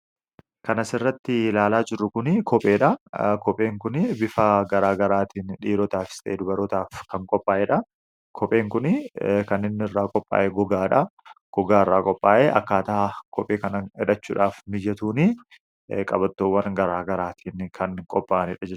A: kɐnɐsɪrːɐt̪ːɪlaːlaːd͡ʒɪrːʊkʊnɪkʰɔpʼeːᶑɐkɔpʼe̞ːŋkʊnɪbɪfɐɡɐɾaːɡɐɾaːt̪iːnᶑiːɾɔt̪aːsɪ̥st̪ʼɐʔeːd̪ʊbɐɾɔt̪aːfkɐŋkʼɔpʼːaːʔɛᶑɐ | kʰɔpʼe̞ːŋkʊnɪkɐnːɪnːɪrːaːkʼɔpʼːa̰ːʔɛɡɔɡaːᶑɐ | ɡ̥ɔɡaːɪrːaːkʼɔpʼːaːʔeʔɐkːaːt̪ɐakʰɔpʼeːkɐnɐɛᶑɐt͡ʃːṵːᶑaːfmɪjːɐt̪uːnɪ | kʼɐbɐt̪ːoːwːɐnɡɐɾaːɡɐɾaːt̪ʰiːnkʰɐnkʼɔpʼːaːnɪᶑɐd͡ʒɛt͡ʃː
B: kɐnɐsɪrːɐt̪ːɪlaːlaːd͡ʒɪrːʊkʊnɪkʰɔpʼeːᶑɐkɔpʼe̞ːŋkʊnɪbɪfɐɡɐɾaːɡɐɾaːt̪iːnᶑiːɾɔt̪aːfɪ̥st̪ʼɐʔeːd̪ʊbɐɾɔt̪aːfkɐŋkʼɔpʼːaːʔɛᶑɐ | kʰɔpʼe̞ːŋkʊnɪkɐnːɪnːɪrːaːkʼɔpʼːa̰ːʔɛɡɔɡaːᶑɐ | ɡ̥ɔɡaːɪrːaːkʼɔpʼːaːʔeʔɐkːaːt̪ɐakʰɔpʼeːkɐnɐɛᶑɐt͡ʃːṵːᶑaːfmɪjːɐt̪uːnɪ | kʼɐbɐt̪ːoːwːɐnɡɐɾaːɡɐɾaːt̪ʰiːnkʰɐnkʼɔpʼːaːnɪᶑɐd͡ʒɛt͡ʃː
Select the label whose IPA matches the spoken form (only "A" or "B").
B